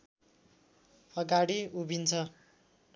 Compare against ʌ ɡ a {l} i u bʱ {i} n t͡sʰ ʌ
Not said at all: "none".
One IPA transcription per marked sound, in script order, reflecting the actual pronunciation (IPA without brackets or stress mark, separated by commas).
ɽ, i